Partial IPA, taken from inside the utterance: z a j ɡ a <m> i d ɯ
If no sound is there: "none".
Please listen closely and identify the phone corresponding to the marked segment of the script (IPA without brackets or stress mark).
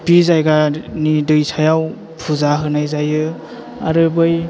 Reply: n